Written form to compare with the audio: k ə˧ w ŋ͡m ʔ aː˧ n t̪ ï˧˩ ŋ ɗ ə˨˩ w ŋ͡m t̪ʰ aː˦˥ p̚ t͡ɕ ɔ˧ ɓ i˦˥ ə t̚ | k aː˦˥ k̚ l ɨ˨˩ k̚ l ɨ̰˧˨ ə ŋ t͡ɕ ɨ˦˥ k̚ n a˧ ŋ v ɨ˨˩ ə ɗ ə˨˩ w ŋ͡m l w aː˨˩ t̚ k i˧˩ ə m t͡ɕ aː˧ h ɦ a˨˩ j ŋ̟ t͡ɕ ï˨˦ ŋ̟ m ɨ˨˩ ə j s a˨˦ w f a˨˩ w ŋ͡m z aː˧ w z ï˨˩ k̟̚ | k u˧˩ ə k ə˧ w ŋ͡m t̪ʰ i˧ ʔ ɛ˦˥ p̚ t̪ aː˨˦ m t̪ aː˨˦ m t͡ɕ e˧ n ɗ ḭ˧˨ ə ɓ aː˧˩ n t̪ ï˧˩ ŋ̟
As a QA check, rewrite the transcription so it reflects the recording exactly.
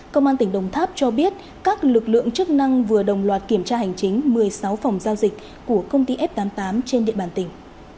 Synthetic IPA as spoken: k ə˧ w ŋ͡m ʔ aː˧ n t̪ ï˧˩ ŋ ɗ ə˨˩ w ŋ͡m t̪ʰ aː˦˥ p̚ t͡ɕ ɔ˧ ɓ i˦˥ ə t̚ | k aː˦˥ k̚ l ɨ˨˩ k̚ l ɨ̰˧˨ ə ŋ t͡ɕ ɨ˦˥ k̚ n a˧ ŋ v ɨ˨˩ ə ɗ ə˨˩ w ŋ͡m l w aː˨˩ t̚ k i˧˩ ə m t͡ɕ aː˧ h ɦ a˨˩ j ŋ̟ t͡ɕ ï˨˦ ŋ̟ m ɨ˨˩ ə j s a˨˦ w f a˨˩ w ŋ͡m z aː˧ w z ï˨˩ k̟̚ | k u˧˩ ə k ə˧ w ŋ͡m t̪ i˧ ʔ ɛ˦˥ p̚ t̪ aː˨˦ m t̪ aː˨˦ m t͡ɕ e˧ n ɗ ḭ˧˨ ə ɓ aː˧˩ n t̪ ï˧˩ ŋ̟